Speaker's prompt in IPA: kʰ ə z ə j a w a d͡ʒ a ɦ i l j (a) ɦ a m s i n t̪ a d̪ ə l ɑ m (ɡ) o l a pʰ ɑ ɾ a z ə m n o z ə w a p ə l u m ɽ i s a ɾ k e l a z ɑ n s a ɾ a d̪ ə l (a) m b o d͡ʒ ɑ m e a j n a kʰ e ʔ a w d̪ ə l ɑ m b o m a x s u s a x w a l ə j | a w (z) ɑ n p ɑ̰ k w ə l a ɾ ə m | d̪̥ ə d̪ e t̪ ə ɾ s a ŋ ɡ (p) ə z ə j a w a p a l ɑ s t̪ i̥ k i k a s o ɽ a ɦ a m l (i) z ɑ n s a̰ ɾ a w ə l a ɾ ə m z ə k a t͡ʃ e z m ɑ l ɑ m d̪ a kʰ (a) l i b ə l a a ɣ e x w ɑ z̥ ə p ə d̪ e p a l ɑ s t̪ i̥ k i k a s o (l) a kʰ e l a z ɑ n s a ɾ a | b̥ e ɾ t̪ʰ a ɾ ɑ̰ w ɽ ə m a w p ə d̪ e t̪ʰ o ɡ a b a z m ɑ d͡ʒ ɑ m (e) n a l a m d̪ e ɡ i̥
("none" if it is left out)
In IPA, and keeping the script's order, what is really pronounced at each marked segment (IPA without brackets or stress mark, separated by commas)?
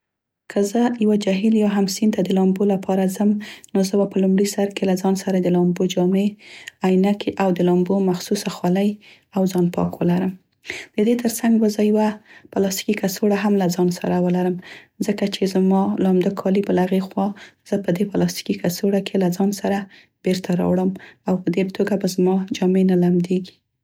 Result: ɑ, b, ɑ, z, b, a, ɑ, ɽ, e